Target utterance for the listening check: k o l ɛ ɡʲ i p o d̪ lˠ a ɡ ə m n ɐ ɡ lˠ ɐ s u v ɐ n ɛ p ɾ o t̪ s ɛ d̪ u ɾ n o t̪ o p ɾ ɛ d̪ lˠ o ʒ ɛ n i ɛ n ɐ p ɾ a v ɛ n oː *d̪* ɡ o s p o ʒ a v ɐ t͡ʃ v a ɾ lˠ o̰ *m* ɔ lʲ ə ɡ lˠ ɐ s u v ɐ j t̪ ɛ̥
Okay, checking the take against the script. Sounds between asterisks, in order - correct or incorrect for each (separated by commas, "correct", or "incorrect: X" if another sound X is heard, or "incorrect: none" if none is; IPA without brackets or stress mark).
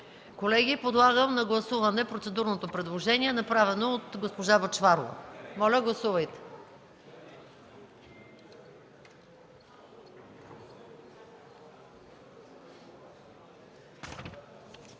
incorrect: t̪, correct